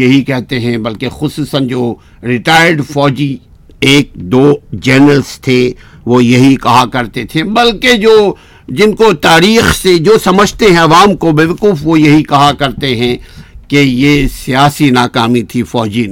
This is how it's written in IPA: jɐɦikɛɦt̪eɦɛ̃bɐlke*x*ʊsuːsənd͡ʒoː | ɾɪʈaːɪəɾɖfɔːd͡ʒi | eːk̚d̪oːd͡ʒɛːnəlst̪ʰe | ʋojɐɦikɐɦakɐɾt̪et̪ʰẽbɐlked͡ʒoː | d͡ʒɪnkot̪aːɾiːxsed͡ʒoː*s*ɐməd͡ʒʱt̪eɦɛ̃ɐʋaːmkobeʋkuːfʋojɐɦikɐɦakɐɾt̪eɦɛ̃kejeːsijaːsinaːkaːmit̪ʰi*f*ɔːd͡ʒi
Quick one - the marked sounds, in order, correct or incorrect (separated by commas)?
correct, correct, correct